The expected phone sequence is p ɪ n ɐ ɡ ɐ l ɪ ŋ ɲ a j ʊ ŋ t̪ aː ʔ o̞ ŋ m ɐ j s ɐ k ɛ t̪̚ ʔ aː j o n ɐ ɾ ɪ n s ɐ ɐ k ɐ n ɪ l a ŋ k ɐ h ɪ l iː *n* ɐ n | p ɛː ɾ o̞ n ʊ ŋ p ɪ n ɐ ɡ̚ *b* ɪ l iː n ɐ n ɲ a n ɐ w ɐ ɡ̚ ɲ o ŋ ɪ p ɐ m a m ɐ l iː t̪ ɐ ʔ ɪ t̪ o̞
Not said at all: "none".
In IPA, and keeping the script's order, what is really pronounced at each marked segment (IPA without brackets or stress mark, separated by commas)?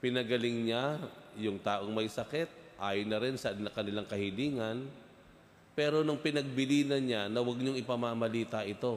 ŋ, b